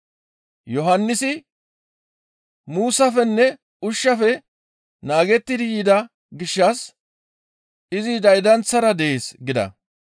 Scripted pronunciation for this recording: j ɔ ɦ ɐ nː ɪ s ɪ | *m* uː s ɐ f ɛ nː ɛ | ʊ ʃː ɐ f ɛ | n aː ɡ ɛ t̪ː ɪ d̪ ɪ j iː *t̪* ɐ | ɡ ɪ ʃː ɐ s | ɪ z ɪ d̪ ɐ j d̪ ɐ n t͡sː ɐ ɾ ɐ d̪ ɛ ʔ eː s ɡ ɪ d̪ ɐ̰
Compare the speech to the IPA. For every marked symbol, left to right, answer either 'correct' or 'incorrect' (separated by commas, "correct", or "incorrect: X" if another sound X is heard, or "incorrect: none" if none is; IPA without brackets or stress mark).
correct, incorrect: d̪